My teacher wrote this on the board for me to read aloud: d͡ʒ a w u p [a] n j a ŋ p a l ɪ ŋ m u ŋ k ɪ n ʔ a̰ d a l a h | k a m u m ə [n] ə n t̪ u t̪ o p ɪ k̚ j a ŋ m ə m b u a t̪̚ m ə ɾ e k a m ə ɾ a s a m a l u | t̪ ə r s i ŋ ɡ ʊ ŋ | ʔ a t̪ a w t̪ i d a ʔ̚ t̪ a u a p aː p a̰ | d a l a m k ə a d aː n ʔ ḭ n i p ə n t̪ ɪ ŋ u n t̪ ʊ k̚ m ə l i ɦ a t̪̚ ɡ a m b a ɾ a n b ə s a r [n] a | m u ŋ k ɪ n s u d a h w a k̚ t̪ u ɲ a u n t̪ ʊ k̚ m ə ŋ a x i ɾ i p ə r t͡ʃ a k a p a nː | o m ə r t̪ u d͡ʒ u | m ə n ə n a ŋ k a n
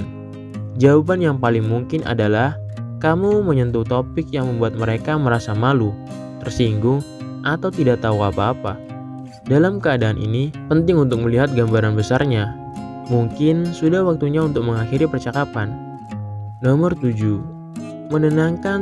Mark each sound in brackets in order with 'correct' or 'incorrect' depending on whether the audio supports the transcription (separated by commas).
correct, incorrect, incorrect